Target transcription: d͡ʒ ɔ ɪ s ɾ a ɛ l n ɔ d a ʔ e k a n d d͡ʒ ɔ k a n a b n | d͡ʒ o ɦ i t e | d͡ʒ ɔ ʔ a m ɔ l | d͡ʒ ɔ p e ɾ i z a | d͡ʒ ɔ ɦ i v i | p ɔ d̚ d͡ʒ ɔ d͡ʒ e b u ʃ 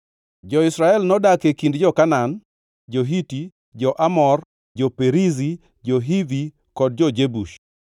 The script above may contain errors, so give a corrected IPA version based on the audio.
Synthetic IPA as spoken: d͡ʒ ɔ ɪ s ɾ a ɛ l n ɔ d a k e k i n d d͡ʒ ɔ k a n a n | d͡ʒ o ɦ i t i | d͡ʒ ɔ ʔ a m ɔ r | d͡ʒ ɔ p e ɾ i z i | d͡ʒ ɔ ɦ i v i | k ɔ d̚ d͡ʒ ɔ d͡ʒ e b u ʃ

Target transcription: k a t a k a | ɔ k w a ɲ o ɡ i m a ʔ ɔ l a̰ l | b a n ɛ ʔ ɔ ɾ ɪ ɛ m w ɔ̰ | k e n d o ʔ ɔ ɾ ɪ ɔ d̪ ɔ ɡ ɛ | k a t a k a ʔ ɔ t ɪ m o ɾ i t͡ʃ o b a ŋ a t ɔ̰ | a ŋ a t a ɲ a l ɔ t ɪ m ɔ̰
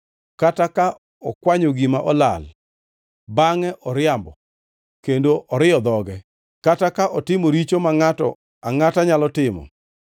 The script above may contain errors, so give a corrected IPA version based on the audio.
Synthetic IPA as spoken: k a t a k a | ɔ k w a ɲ o ɡ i m a ʔ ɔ l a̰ l | b a ŋ ɛ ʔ ɔ ɾ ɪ a m b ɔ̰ | k e n d o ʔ ɔ ɾ ɪ ɔ d̪ ɔ ɡ ɛ | k a t a k a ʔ ɔ t ɪ m o ɾ i t͡ʃ o m a ŋ a t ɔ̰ | a ŋ a t a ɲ a l ɔ t ɪ m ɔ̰

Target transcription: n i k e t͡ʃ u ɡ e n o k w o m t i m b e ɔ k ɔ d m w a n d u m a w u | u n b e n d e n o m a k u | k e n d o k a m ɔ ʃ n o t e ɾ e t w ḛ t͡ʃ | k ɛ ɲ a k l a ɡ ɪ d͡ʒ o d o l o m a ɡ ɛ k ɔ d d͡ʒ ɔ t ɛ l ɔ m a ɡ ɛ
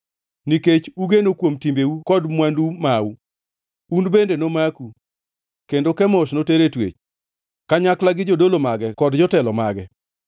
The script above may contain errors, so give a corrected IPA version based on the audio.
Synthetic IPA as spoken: n i k e t͡ʃ u ɡ e n o k w o m t i m b e u k ɔ d m w a n d u m a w u | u n b e n d e n o m a k u | k e n d o k ɛ m ɔ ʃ n o t e ɾ e t w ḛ t͡ʃ | k a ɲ a k l a ɡ ɪ d͡ʒ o d o l o m a ɡ ɛ k ɔ d d͡ʒ ɔ t ɛ l ɔ m a ɡ ɛ

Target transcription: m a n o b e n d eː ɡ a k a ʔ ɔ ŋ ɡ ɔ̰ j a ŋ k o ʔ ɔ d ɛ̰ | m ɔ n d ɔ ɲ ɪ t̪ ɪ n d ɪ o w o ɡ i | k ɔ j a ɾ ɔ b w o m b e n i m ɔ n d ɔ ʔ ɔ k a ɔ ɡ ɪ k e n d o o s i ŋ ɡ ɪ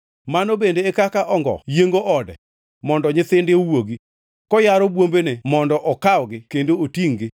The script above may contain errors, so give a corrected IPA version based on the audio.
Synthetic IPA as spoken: m a n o b e n d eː k a k a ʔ ɔ ŋ ɡ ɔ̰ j e ŋ ɡ o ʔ ɔ d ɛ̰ | m ɔ n d ɔ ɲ ɪ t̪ ɪ n d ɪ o w o ɡ i | k ɔ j a ɾ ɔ b w o m b e n e m ɔ n d ɔ ʔ ɔ k a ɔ ɡ ɪ k e n d o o t i ŋ ɡ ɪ

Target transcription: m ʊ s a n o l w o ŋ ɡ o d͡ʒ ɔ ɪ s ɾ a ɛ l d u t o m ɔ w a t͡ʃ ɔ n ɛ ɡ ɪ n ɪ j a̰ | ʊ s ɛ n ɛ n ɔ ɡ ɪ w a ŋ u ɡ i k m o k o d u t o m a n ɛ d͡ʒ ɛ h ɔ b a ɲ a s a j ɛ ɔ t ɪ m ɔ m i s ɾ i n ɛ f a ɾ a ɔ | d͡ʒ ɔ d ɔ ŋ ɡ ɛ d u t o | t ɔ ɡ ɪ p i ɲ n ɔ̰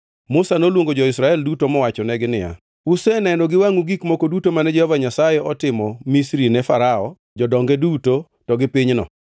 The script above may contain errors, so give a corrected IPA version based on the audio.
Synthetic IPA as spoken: m ʊ s a n o l w o ŋ ɡ o d͡ʒ ɔ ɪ s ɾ a ɛ l d u t o m ɔ w a t͡ʃ ɔ n ɛ ɡ ɪ n ɪ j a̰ | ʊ s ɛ n ɛ n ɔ ɡ ɪ w a ŋ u ɡ i k m o k o d u t o m a n ɛ d͡ʒ ɛ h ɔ v a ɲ a s a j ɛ ɔ t ɪ m ɔ m i s ɾ i n ɛ f a ɾ a ɔ | d͡ʒ ɔ d ɔ ŋ ɡ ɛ d u t o | t ɔ ɡ ɪ p i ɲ n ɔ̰

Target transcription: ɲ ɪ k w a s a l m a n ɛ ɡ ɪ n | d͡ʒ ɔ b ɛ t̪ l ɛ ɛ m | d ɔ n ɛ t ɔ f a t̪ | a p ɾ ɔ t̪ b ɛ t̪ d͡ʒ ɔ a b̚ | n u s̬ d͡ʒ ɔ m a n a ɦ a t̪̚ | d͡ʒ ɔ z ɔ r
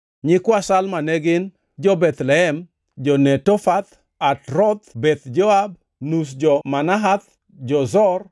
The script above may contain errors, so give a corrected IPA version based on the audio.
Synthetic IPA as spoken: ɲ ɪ k w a s a l m a n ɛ ɡ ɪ n | d͡ʒ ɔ b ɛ t̪ l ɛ ɛ m | d͡ʒ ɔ n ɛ t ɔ f a t̪ | a t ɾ ɔ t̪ b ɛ t̪ d͡ʒ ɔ a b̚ | n u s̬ d͡ʒ ɔ m a n a ɦ a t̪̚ | d͡ʒ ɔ z ɔ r

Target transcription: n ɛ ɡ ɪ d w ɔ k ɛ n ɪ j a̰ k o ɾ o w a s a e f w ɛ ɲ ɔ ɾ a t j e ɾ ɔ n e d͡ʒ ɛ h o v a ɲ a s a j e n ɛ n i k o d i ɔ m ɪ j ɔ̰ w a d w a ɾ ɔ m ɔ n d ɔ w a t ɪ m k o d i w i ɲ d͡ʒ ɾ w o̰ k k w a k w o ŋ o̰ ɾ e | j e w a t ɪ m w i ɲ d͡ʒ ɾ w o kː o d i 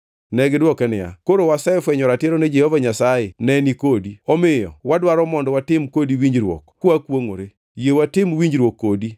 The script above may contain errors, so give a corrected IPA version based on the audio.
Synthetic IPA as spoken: n ɛ ɡ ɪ d w ɔ k ɛ n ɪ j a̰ k o ɾ o w a s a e f w ɛ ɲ ɔ ɾ a t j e ɾ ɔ n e d͡ʒ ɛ h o v a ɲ a s a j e n ɛ n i k o d i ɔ m ɪ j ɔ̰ w a d w a ɾ ɔ m ɔ n d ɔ w a t ɪ m k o d i w i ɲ d͡ʒ ɾ w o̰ k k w a k w o ŋ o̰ ɾ e | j e w a t ɪ m w i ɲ d͡ʒ ɾ w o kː o d i

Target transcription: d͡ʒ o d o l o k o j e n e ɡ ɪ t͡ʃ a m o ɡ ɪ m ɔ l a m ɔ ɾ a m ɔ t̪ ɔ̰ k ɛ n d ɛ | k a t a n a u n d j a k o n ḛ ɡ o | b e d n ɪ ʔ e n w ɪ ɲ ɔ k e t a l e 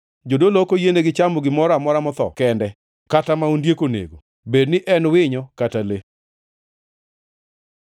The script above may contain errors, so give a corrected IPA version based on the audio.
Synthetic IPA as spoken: d͡ʒ o d o l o k o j e n e ɡ ɪ t͡ʃ a m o ɡ ɪ m ɔ ɾ a m ɔ ɾ a m ɔ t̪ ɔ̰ k ɛ n d ɛ | k a t a m a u n d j e k o n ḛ ɡ o | b e d n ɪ ʔ ɛ n w ɪ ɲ ɔ k a t a l e

